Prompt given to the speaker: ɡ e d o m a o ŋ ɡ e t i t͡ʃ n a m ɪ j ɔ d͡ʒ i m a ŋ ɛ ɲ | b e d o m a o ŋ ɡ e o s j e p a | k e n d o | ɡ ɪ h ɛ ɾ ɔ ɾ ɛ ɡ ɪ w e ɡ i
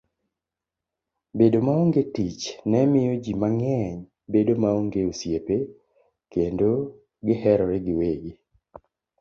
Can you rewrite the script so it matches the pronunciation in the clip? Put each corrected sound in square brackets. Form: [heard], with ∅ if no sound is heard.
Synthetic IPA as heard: [b] e d o m a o ŋ ɡ e t i t͡ʃ n [ɛ] m ɪ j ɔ d͡ʒ i m a ŋ ɛ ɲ | b e d o m a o ŋ ɡ e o s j e p [e] | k e n d o | ɡ ɪ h ɛ ɾ ɔ ɾ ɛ ɡ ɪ w e ɡ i